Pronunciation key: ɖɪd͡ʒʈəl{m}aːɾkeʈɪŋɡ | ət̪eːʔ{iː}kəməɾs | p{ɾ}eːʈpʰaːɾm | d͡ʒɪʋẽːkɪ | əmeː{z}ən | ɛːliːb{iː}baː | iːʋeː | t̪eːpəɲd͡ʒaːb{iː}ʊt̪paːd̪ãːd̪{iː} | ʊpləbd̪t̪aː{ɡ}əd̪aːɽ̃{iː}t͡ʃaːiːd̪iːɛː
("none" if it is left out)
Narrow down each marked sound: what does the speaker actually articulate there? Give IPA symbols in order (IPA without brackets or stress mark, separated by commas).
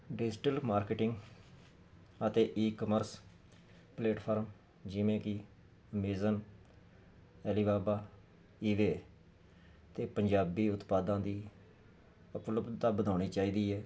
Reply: m, iː, l, z, aː, iː, iː, b, iː